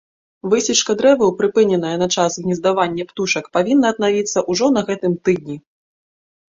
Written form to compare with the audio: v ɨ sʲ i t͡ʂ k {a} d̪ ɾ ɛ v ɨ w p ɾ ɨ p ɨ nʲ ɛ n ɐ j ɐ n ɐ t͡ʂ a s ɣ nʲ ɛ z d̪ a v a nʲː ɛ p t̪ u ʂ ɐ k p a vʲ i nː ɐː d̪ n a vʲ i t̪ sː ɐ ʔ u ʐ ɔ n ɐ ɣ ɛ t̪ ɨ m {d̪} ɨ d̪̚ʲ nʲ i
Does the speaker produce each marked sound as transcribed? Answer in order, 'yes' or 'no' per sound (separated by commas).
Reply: no, no